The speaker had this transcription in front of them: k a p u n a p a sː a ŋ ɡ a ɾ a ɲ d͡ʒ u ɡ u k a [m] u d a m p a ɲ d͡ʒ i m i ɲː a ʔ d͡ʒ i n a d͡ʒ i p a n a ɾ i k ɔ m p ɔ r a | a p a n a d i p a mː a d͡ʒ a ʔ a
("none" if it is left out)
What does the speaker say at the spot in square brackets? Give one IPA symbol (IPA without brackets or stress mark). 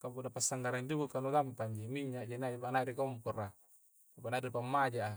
n